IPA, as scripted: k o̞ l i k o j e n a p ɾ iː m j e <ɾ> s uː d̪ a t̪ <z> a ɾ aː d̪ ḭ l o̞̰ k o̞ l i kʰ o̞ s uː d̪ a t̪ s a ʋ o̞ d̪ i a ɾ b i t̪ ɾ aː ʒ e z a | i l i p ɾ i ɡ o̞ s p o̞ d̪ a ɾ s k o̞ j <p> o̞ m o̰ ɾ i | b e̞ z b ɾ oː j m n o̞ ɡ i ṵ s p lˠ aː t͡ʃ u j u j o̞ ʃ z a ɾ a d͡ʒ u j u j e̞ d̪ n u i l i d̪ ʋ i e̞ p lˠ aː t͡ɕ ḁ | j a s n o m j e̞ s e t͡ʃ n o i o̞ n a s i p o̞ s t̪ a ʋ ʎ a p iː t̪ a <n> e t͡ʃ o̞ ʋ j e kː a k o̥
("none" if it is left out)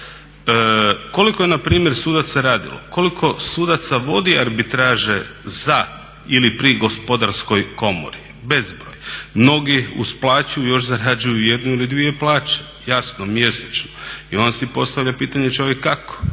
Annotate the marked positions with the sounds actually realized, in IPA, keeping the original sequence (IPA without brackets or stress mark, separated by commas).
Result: ɾ, s, k, ɲ